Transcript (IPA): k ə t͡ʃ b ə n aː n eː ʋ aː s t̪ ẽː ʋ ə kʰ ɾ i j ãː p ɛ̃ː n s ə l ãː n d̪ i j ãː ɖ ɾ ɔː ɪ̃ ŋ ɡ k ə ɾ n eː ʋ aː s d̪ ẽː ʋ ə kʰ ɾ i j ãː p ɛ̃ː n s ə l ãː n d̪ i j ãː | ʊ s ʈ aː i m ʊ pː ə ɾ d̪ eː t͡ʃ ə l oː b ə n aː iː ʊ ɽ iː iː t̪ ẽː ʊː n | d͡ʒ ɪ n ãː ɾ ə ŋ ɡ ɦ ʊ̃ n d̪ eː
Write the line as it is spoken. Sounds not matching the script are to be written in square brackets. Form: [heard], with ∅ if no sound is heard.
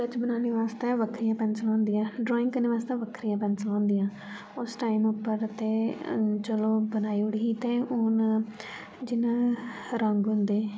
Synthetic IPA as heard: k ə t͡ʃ b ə n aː n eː ʋ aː s t̪ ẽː ʋ ə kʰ ɾ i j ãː p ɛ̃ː n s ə l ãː n d̪ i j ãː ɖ ɾ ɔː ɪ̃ ŋ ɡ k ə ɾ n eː ʋ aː s [t̪] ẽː ʋ ə kʰ ɾ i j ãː p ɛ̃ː n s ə l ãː n d̪ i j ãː | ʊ s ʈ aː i m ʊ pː ə ɾ [t̪] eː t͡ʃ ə l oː b ə n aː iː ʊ ɽ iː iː t̪ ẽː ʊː n | d͡ʒ ɪ n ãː ɾ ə ŋ ɡ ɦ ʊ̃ n d̪ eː